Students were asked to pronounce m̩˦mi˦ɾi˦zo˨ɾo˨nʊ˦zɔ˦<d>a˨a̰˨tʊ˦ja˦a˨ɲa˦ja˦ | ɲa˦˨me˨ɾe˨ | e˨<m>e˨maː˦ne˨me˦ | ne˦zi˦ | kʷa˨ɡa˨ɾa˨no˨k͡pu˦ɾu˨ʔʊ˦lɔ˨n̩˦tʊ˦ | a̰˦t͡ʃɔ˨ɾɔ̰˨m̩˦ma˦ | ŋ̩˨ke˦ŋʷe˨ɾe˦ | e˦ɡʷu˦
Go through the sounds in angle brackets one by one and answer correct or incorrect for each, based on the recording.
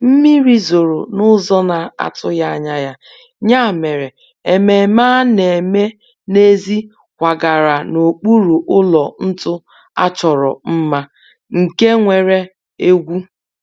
incorrect: n, correct

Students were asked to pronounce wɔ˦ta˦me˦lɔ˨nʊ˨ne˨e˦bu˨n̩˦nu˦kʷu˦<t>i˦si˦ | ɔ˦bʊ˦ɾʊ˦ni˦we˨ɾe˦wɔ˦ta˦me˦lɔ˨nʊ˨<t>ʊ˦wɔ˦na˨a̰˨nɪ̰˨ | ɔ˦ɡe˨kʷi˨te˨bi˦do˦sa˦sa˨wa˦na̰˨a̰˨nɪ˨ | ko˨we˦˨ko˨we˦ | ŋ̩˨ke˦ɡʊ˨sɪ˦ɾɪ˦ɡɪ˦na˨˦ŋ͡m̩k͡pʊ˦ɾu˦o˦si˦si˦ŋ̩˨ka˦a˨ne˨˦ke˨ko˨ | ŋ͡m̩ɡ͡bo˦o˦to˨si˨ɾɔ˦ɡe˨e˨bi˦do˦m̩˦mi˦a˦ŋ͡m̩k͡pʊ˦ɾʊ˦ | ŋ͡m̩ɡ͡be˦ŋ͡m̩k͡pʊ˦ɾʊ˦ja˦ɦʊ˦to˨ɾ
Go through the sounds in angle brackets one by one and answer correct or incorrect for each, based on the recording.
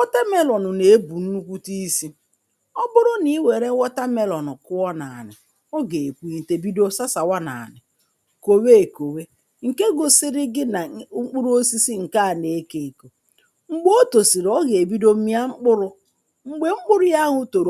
correct, incorrect: k

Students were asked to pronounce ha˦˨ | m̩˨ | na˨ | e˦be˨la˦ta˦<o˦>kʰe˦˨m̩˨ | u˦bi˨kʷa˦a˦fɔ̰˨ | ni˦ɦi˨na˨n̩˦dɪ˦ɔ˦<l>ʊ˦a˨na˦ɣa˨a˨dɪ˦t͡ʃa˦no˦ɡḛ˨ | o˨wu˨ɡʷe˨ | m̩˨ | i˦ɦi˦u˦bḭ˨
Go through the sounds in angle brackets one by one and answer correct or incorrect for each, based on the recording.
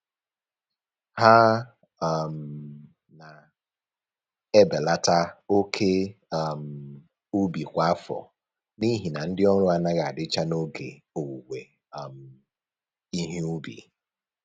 correct, incorrect: ɾ

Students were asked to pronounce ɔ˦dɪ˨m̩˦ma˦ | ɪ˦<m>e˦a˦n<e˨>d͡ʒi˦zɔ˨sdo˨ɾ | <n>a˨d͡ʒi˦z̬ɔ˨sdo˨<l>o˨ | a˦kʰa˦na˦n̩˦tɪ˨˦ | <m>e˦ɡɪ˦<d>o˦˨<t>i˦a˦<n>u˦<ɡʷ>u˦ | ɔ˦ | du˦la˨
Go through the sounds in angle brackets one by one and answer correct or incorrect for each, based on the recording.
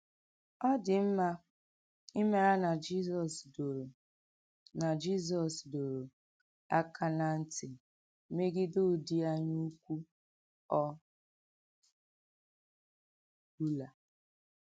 correct, incorrect: a˨, correct, incorrect: ɾ, correct, correct, incorrect: d, incorrect: ɲ, incorrect: kʷ

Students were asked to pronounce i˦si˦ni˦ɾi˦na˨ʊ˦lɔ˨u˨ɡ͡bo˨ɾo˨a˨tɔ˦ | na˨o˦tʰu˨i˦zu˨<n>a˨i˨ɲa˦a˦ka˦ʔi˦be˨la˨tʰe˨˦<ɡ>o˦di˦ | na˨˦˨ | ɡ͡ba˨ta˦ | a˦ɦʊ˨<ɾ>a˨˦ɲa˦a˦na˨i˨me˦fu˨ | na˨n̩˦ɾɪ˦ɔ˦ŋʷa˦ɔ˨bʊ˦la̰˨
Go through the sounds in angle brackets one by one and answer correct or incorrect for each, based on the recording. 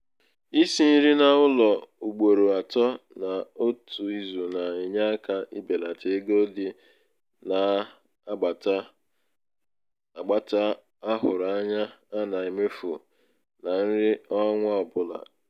correct, correct, correct

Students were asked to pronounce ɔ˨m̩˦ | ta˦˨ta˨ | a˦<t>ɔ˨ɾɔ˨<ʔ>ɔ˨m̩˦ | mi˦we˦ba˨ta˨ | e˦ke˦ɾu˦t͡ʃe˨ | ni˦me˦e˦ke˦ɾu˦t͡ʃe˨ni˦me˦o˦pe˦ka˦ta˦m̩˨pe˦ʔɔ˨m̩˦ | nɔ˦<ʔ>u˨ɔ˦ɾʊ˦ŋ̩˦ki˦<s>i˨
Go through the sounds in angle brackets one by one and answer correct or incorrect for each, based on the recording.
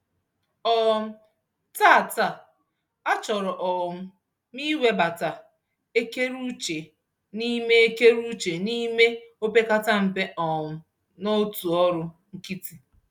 incorrect: t͡ʃ, correct, incorrect: t, incorrect: t

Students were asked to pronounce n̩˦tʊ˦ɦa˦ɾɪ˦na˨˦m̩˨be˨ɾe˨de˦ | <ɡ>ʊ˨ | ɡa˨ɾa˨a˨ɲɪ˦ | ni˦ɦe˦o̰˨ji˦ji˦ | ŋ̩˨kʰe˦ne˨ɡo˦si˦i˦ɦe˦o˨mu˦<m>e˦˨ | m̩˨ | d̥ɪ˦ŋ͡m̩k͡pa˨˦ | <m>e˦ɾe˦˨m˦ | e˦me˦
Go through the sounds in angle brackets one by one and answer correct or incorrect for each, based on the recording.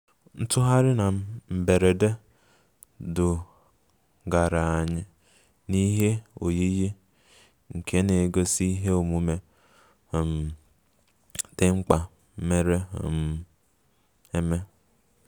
incorrect: d, correct, correct

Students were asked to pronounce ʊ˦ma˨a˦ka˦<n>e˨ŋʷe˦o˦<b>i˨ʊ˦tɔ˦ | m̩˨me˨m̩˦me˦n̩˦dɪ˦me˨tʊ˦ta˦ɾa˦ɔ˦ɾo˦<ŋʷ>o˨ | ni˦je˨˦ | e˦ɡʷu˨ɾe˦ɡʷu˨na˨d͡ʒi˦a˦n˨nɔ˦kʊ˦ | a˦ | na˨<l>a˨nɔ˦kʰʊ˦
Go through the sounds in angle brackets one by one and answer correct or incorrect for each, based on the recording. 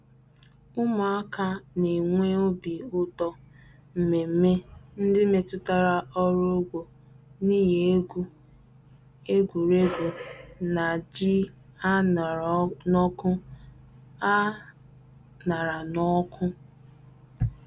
correct, correct, incorrect: ɡʷ, incorrect: ɾ

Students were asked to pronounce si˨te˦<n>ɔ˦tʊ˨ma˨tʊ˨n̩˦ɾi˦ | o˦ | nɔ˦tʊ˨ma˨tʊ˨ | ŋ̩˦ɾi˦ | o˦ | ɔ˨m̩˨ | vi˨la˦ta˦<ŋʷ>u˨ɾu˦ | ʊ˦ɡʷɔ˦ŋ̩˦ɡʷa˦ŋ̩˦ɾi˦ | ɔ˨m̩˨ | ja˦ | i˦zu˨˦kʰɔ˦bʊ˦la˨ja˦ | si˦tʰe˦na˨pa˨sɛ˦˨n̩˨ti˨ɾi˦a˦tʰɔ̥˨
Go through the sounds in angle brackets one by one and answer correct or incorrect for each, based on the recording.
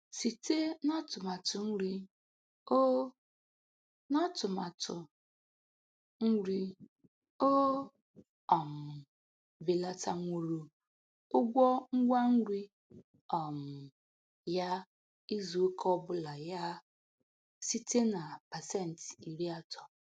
correct, correct

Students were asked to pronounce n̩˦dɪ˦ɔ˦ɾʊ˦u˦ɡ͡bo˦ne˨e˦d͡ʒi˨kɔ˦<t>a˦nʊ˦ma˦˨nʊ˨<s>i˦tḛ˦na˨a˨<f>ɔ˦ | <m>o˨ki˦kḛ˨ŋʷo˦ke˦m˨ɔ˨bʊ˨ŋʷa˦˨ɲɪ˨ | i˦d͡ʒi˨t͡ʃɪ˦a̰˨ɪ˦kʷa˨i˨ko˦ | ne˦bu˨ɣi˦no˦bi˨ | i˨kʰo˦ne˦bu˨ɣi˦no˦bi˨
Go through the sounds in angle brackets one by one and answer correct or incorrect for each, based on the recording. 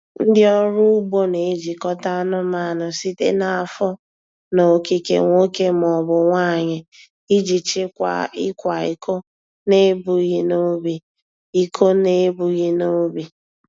correct, correct, correct, incorrect: n

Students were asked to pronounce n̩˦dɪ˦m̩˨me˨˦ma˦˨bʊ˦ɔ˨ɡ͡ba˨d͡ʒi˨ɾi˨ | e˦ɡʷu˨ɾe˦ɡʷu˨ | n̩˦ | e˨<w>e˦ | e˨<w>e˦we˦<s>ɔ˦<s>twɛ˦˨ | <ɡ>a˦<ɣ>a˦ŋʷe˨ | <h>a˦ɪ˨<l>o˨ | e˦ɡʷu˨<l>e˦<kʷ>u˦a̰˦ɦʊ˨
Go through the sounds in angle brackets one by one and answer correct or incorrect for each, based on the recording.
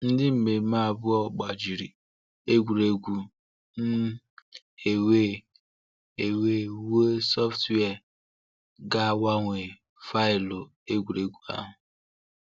correct, correct, correct, incorrect: f, correct, incorrect: w, incorrect: f, correct, incorrect: ɾ, incorrect: ɡʷ

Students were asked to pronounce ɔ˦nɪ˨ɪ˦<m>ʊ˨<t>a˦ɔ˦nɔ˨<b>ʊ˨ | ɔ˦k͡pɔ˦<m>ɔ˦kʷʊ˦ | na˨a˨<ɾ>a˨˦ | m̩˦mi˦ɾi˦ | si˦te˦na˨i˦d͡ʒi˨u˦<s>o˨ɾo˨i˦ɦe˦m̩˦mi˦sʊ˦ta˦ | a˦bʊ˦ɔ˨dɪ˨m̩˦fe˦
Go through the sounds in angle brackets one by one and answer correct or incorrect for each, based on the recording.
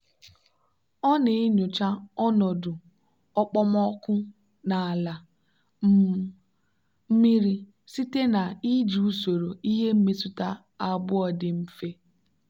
incorrect: ɲ, incorrect: t͡ʃ, incorrect: d, correct, incorrect: l, correct

